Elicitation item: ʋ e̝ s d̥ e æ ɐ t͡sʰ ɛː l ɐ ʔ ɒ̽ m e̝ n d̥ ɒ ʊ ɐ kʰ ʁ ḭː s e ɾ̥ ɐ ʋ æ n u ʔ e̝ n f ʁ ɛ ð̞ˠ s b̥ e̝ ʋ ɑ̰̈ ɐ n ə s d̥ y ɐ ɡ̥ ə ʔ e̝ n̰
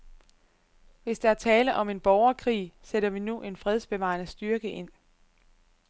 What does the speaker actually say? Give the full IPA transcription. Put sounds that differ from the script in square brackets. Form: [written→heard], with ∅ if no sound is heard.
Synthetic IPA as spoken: ʋ e̝ s d̥ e æ ɐ t͡sʰ ɛː l [ɐ→ə] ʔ ɒ̽ m e̝ n [d̥→b̥] ɒ ʊ ɐ kʰ ʁ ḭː s e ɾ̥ ɐ ʋ [æ→i] n u ʔ e̝ n f ʁ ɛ ð̞ˠ s b̥ e̝ ʋ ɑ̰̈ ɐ n ə s d̥ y ɐ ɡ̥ ə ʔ e̝ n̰